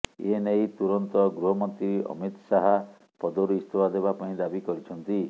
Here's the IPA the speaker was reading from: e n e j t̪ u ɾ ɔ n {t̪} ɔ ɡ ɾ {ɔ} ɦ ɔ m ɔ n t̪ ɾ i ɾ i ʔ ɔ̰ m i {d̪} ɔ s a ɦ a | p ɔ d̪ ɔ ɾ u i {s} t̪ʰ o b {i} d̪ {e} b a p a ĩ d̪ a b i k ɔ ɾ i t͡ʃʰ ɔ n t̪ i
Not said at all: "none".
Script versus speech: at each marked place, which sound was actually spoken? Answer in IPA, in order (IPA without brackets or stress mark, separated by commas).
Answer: t̪, u, t̪, s, a, e